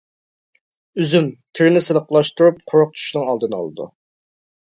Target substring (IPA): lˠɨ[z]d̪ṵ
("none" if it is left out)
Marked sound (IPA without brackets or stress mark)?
none